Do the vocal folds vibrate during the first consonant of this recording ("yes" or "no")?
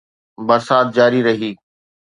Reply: yes